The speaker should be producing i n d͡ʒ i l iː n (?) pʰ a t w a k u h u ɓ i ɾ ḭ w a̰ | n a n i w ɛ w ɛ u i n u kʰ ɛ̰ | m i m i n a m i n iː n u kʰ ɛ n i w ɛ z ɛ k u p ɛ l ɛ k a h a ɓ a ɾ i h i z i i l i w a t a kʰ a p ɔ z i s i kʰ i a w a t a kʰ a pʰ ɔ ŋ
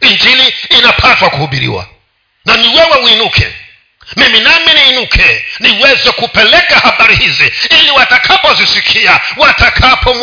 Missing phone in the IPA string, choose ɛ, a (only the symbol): a